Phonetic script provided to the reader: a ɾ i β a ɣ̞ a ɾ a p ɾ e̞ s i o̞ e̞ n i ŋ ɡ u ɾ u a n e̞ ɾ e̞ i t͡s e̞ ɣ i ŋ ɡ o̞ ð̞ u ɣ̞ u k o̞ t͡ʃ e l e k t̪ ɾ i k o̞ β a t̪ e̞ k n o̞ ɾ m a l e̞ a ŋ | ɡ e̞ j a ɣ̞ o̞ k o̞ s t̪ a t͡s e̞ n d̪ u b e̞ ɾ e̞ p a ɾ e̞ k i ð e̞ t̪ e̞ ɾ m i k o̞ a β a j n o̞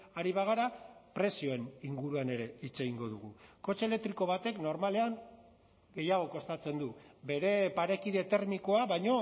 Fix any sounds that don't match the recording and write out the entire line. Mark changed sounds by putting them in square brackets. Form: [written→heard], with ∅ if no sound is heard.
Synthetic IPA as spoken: a ɾ i β a ɣ̞ a ɾ a p ɾ e̞ s i o̞ e̞ n i ŋ ɡ u ɾ u a n e̞ ɾ e̞ i t͡s e̞ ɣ i ŋ ɡ o̞ ð̞ u ɣ̞ u k o̞ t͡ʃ e l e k t̪ ɾ i k o̞ β a t̪ e̞ k n o̞ ɾ m a l e̞ a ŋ | ɡ e̞ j a ɣ̞ o̞ k o̞ s t̪ a t͡s e̞ n d̪ u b e̞ ɾ e̞ p a ɾ e̞ k i ð e̞ t̪ e̞ ɾ m i k o̞ a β a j [n→ɲ] o̞